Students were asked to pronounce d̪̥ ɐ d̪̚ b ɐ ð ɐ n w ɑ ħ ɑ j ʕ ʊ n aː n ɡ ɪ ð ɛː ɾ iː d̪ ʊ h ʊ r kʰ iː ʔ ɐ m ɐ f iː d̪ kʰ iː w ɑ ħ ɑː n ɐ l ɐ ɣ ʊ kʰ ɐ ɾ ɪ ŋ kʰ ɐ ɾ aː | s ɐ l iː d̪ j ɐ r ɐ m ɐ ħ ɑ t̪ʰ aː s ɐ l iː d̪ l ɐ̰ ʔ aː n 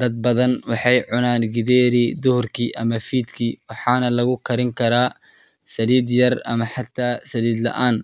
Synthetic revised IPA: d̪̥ ɐ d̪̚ b ɐ ð ɐ n w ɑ ħ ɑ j ʕ ʊ n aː n ɡ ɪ ð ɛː ɾ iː d̪ ʊ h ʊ r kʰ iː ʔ ɐ m ɐ f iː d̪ kʰ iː w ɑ ħ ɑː n ɐ l ɐ ɣ ʊ kʰ ɐ ɾ ɪ ŋ kʰ ɐ ɾ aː | s ɐ l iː d̪ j ɐ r ɐ m ɐ ħ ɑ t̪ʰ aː s ɐ l iː d̪ l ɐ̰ ʔ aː n